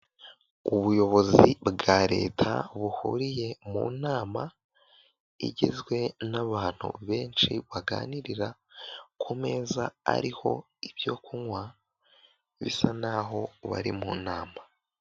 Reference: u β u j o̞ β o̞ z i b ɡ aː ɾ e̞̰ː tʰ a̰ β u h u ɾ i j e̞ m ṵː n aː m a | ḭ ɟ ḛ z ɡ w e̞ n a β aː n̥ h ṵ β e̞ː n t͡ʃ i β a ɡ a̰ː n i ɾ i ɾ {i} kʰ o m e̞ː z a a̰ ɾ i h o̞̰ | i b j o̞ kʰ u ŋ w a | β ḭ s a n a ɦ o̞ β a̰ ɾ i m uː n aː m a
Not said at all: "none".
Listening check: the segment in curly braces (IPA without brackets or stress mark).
a